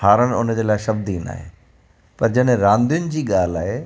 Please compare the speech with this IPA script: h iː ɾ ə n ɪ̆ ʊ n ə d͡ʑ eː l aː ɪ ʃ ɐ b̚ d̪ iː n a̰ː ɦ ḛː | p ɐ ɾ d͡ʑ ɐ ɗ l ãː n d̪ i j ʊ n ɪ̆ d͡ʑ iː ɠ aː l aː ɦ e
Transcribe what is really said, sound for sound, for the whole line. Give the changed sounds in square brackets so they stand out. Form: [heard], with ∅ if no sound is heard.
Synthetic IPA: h [aː] ɾ ə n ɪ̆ ʊ n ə d͡ʑ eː l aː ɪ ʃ ɐ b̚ d̪ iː n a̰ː ɦ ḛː | p ɐ ɾ d͡ʑ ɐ ɗ [ɾ] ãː n d̪ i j ʊ n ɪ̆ d͡ʑ iː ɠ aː l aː ɦ e